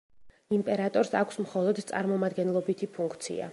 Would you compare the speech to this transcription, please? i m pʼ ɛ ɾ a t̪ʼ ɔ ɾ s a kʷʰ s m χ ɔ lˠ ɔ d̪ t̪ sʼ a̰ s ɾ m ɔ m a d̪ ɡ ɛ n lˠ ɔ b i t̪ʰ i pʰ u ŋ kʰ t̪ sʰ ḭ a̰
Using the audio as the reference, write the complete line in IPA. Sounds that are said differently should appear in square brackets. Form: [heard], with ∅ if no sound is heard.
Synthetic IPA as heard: i m pʼ ɛ ɾ a t̪ʼ ɔ ɾ s a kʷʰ s m χ ɔ lˠ ɔ d̪ t̪ sʼ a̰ [∅] ɾ m ɔ m a d̪ ɡ ɛ n lˠ ɔ b i t̪ʰ i pʰ u ŋ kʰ t̪ sʰ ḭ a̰